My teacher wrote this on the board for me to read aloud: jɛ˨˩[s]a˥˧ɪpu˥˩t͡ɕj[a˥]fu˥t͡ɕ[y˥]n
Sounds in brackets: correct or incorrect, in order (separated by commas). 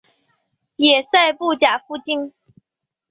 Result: correct, incorrect, incorrect